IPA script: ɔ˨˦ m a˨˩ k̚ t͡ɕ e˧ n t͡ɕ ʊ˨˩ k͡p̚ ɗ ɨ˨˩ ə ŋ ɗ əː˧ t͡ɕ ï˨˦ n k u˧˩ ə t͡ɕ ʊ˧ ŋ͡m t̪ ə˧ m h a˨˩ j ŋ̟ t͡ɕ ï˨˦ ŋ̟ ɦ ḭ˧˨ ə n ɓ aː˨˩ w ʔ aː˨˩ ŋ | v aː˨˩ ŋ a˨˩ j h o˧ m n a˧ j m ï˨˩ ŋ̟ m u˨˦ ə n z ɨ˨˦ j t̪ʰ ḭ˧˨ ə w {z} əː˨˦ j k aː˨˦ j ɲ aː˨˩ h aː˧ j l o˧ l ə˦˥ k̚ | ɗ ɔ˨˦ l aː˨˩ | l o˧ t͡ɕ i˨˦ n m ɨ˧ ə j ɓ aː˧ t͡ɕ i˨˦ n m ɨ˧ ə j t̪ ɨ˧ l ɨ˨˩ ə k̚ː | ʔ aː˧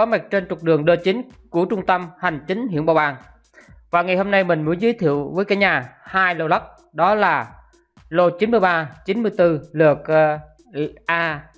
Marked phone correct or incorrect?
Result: incorrect